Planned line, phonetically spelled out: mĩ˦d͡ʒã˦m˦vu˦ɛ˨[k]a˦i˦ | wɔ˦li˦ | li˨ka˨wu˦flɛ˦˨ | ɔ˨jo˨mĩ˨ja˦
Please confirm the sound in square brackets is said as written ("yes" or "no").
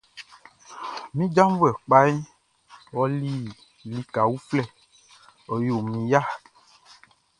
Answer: no